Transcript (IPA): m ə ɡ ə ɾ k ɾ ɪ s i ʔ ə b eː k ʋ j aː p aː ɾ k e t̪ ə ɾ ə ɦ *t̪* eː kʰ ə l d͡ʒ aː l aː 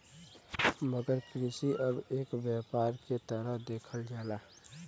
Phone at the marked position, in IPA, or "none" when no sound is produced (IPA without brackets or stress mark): d̪